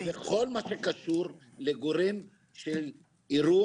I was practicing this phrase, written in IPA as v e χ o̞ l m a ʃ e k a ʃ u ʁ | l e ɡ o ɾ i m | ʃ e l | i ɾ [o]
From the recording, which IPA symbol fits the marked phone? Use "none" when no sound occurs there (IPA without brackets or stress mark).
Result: u